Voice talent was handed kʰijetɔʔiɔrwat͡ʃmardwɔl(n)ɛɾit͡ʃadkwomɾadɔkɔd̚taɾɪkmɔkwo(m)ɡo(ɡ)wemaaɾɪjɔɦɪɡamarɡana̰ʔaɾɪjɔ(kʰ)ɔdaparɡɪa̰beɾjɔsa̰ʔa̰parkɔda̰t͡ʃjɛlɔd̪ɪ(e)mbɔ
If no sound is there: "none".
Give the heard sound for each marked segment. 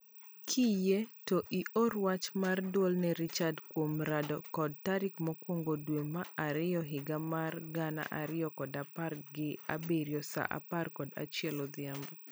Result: n, ŋ, d, k, a

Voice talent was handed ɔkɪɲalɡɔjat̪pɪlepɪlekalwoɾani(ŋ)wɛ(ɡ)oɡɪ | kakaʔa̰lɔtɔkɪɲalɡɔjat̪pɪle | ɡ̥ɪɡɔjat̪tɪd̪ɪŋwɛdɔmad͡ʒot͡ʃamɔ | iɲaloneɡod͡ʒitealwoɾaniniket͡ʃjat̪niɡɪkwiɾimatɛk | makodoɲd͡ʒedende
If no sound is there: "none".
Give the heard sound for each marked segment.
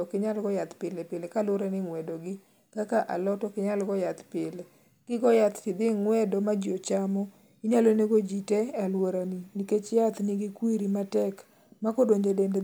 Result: ŋ, d

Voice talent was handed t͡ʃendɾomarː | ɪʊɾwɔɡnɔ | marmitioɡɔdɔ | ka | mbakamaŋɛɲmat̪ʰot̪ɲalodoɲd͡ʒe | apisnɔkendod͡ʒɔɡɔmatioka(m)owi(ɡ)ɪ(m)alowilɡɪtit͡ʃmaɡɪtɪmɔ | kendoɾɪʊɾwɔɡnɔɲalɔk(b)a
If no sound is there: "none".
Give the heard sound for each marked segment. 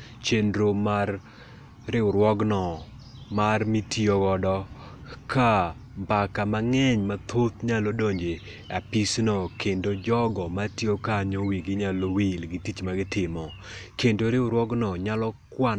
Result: ɲ, ɡ, ɲ, w

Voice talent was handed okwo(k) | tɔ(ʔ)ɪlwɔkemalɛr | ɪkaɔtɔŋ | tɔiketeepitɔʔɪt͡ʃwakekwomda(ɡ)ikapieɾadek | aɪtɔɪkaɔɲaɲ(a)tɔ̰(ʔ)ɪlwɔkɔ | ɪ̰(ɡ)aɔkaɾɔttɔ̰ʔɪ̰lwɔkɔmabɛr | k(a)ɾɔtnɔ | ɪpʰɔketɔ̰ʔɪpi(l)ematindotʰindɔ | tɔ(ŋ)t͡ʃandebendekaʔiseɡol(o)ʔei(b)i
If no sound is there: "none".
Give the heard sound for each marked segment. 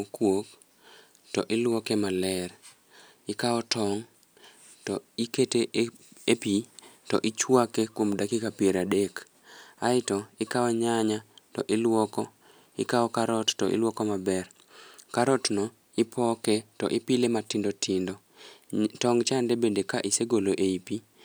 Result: k, ʔ, k, a, ʔ, k, a, l, ŋ, o, p

